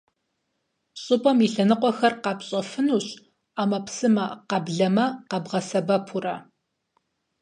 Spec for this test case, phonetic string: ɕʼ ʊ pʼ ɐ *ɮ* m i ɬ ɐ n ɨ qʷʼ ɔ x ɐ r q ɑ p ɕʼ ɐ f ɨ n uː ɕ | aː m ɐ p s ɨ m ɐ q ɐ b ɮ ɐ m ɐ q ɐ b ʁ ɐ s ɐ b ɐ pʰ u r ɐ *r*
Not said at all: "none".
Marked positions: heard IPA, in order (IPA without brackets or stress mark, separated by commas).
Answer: none, none